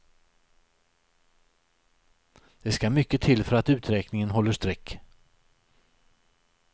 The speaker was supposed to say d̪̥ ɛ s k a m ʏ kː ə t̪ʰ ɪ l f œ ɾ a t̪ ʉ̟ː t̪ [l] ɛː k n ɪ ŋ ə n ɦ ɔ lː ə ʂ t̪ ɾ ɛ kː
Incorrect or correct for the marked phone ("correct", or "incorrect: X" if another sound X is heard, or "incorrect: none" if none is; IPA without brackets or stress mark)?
incorrect: ɾ